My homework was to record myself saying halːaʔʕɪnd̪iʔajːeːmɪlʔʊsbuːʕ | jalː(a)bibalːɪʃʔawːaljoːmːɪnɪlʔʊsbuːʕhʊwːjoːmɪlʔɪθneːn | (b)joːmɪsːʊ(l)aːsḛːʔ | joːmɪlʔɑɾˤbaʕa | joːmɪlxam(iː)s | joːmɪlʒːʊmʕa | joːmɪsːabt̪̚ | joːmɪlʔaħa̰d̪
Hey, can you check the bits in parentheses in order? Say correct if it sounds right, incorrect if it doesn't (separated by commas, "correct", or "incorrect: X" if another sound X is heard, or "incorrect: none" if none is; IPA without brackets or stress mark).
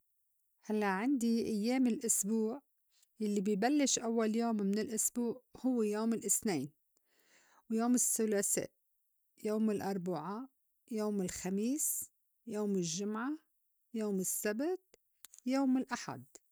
incorrect: i, incorrect: w, correct, correct